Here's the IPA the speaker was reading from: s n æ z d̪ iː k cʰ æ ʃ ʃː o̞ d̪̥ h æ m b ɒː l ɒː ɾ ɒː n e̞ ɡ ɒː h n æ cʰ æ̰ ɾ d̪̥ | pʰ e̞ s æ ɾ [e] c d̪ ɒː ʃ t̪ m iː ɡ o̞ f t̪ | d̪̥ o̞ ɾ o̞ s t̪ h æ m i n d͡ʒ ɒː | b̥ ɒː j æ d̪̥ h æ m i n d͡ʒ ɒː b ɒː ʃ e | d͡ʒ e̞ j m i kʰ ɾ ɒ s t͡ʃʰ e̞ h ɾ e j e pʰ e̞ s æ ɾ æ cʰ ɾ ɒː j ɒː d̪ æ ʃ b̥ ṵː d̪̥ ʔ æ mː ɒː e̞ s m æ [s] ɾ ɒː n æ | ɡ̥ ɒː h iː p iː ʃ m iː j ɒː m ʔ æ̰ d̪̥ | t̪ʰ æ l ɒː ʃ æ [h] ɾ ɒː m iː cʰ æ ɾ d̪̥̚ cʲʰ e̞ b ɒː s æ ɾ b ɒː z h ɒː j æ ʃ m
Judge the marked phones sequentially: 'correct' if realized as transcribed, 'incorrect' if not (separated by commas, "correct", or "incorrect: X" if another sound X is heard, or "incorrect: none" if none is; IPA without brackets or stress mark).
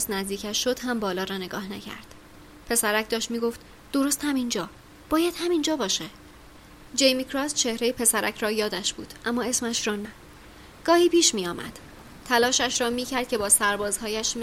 incorrect: æ, incorrect: ʃ, incorrect: ʃ